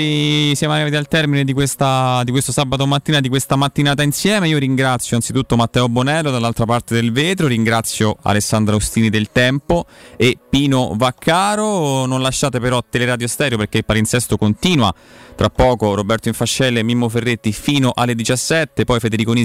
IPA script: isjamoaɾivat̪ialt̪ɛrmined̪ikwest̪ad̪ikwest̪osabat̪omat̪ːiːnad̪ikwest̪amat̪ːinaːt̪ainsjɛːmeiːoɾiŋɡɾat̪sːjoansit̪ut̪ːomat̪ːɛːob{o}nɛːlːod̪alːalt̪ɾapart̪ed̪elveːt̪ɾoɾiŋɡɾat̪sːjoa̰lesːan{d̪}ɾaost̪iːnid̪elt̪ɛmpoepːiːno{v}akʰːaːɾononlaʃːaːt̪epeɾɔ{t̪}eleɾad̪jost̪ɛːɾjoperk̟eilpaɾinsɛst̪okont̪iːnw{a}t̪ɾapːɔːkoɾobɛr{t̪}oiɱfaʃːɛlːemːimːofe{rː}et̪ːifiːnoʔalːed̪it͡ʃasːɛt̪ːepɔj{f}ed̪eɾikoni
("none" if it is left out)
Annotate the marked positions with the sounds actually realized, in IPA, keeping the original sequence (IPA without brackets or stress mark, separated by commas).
o, d̪, v, t̪, a, t̪, rː, f